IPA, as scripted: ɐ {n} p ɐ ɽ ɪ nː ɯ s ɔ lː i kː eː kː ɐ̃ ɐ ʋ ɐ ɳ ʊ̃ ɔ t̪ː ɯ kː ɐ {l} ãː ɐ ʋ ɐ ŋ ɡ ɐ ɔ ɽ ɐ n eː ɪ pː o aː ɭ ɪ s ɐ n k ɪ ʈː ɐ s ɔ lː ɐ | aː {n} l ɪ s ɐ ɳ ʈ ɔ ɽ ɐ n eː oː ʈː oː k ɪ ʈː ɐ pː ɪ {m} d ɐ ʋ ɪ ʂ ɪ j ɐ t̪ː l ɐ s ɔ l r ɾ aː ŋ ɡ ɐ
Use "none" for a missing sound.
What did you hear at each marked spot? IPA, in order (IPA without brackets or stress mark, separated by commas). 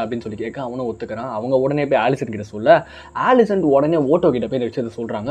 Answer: none, ɾ, none, n